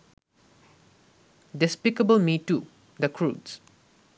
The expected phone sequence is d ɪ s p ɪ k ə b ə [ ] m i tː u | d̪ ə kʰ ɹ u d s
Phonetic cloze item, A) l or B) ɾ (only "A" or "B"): A